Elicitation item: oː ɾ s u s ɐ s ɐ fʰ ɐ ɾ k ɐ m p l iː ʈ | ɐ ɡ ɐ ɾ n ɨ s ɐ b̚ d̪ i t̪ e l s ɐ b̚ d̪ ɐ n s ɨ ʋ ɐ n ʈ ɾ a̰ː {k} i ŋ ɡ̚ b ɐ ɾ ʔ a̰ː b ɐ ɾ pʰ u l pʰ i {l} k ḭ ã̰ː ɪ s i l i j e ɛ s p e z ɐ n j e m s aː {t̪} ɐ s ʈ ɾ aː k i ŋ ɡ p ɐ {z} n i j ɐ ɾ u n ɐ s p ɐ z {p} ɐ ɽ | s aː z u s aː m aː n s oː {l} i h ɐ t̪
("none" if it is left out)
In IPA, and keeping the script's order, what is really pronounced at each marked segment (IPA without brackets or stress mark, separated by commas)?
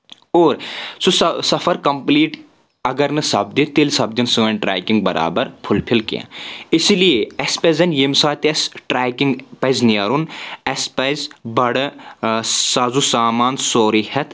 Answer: k, l, t̪, z, b, ɾ